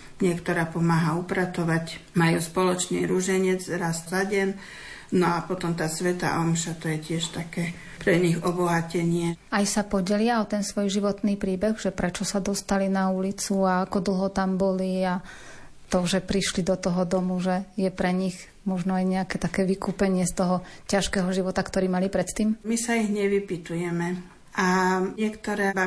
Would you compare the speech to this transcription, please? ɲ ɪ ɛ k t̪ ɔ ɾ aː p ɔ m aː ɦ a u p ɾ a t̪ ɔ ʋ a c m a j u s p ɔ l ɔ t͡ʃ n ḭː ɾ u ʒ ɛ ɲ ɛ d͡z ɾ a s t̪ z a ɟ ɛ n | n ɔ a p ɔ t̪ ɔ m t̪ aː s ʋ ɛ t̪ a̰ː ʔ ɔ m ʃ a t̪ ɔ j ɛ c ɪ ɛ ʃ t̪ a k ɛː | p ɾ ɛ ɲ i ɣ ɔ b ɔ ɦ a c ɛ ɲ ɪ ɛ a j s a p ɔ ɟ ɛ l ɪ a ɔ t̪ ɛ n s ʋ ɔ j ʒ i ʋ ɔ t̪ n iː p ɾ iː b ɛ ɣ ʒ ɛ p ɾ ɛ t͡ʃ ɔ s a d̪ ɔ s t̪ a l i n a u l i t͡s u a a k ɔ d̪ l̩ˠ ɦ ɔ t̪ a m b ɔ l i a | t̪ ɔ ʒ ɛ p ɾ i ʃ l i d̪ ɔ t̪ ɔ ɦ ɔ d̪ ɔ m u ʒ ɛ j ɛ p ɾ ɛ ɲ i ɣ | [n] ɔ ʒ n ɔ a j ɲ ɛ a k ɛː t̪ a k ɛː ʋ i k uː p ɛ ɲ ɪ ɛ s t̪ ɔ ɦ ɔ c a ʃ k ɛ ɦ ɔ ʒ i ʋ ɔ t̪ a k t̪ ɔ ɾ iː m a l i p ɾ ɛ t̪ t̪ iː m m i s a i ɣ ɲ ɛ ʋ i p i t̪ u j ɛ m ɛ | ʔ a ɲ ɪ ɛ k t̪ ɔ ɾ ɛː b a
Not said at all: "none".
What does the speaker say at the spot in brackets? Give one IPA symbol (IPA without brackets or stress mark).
m